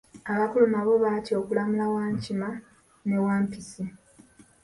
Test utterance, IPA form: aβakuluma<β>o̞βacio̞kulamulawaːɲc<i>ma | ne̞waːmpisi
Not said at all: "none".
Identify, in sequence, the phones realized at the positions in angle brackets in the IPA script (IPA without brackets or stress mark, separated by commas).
β, i